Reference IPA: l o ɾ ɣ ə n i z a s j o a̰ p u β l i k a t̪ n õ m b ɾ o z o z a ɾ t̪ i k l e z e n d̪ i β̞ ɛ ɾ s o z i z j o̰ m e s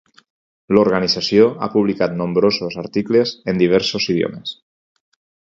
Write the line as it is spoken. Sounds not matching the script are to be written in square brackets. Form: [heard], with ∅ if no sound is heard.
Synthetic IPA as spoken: l o ɾ ɣ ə n i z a s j o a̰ p u β l i k a t̪ n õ m b ɾ o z o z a ɾ t̪ i k l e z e n d̪ i β̞ ɛ ɾ s o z i [ð] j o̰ m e s